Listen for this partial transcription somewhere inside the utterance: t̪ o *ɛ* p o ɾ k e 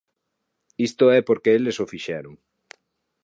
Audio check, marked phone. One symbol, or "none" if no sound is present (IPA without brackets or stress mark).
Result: ɛ